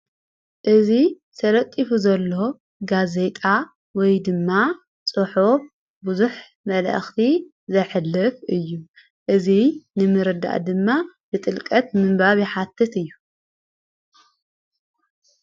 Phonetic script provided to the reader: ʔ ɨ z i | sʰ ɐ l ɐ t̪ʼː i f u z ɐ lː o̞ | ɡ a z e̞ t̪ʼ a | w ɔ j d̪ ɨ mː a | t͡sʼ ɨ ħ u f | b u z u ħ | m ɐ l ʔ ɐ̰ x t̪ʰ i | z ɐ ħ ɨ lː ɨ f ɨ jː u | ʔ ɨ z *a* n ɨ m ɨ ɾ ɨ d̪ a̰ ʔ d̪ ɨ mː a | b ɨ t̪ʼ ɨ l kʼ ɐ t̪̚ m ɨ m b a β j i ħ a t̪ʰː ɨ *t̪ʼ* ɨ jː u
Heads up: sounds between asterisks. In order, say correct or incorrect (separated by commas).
incorrect, incorrect